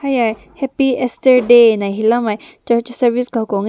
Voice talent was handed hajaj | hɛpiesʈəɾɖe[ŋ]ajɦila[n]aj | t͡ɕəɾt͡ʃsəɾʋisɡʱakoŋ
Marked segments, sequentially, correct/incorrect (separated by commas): incorrect, incorrect